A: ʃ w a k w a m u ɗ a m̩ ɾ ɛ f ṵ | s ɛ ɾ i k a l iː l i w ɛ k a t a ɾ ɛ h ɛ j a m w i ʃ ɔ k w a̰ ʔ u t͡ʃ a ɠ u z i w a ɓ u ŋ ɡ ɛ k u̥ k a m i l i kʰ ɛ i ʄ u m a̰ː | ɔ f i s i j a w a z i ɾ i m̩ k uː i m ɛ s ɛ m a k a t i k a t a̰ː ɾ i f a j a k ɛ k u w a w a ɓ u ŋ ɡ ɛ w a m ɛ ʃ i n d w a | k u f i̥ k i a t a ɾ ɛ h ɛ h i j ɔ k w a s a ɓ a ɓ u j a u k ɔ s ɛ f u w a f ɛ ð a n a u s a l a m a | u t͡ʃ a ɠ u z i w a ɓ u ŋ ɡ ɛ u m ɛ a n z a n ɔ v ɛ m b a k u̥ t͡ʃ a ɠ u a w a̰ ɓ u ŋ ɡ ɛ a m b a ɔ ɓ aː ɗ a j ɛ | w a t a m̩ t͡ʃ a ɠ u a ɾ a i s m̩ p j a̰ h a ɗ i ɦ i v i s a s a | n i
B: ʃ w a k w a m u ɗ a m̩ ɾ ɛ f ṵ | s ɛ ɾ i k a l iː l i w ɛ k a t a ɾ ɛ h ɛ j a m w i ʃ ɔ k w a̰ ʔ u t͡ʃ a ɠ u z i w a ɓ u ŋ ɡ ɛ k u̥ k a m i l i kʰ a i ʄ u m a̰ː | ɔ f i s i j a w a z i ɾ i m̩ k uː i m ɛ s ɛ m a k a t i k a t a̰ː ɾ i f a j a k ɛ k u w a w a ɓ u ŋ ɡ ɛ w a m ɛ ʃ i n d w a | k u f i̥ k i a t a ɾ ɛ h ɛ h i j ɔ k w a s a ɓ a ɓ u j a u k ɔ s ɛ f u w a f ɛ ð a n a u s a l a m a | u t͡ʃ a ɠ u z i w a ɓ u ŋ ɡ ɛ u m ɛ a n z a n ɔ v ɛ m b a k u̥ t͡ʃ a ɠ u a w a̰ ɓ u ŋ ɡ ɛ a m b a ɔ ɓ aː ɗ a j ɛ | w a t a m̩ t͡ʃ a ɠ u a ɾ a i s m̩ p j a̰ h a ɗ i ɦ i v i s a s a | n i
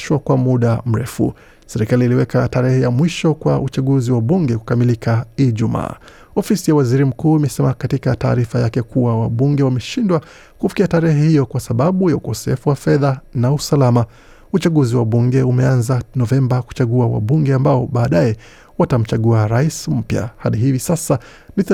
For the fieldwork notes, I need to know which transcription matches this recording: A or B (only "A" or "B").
B